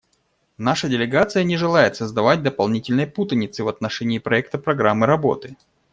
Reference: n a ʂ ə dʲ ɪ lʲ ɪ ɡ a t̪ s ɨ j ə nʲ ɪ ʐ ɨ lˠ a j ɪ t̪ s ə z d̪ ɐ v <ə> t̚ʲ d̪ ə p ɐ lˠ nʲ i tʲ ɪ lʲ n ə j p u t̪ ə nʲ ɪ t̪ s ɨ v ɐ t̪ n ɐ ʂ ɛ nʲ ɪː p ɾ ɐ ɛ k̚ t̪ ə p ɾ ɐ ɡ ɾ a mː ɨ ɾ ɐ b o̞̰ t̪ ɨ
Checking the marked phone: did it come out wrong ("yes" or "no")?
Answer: yes